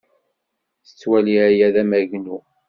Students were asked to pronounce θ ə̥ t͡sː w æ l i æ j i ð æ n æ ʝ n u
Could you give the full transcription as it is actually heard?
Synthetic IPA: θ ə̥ t͡sː w æ l i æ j æ ð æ m æ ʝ n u